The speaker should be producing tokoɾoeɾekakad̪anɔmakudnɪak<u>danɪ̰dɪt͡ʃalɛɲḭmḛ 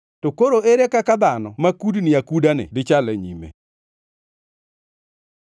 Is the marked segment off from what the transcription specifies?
no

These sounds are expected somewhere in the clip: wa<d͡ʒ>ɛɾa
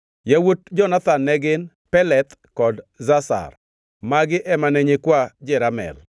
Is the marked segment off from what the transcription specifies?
no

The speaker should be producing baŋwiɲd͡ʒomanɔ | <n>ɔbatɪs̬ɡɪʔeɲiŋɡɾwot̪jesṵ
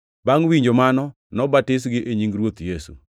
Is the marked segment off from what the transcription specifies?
no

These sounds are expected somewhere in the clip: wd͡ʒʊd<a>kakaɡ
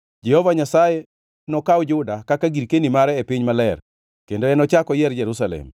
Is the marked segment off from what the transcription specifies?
no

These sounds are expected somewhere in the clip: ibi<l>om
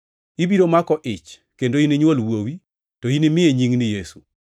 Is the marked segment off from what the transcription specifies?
yes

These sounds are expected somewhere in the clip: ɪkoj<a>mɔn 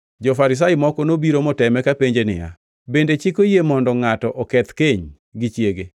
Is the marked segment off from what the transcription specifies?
yes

